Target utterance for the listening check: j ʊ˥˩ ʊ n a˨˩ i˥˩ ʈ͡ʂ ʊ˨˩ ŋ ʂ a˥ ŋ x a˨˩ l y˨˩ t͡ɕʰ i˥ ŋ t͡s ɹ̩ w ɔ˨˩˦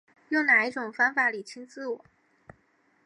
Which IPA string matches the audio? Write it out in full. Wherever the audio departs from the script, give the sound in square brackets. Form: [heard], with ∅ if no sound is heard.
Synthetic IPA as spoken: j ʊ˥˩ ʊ n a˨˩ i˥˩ ʈ͡ʂ ʊ˨˩ ŋ [f] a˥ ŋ [f] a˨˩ l [i˨˩] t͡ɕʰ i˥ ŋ t͡s ɹ̩ w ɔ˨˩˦